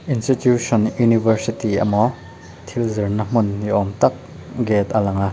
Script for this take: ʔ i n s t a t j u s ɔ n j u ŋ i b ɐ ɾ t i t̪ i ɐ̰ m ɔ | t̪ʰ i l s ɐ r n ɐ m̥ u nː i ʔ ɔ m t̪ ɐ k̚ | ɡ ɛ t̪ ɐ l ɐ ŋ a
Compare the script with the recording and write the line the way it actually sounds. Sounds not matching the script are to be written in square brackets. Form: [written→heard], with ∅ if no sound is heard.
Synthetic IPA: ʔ i n s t [a→i] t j u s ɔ n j u [ŋ→n] i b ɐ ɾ [t→s] i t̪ i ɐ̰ m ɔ | t̪ʰ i l [s→z] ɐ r n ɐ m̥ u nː i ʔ ɔ m t̪ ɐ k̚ | ɡ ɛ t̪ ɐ l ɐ ŋ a